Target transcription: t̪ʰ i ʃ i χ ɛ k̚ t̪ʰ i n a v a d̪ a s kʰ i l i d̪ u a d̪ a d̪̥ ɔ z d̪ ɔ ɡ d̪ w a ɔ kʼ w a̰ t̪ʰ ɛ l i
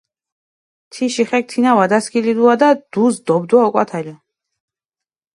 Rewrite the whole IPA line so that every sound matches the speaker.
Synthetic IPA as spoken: t̪ʰ i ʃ i χ ɛ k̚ t̪ʰ i n a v a d̪ a s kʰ i l i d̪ u a d̪ a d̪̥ u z d̪ ɔ b d̪ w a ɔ kʼ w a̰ t̪ʰ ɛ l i